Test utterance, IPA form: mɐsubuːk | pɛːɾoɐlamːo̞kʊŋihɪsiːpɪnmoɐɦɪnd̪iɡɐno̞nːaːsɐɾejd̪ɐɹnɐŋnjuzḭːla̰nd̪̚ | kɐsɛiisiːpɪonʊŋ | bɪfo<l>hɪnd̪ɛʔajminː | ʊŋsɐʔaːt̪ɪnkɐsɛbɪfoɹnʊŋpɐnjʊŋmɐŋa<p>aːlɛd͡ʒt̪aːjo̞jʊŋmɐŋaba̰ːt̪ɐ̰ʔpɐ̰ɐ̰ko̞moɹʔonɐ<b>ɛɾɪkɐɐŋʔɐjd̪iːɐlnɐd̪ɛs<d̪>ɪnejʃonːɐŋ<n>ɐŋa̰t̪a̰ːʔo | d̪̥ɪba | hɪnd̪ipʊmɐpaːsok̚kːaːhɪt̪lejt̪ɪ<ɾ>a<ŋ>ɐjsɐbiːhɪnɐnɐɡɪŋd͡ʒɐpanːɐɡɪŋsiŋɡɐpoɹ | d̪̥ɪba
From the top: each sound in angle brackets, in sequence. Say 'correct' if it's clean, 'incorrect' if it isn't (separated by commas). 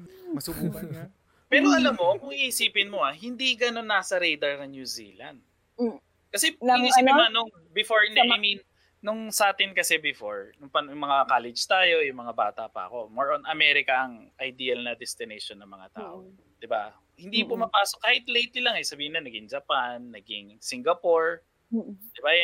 incorrect, incorrect, incorrect, incorrect, incorrect, incorrect, correct